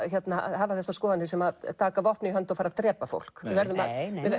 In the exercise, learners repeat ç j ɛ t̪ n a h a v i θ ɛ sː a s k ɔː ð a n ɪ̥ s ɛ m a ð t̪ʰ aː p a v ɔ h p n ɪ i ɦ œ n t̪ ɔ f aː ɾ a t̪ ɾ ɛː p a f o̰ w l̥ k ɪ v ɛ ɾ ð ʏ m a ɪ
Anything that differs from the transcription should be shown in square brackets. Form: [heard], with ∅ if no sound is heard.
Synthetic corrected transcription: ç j ɛ t̪ n a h a v [a] θ ɛ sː a s k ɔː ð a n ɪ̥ s ɛ m a ð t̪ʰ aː [k] a v ɔ h p n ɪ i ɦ œ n t̪ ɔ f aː ɾ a t̪ ɾ ɛː p a f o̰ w l̥ k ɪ v ɛ ɾ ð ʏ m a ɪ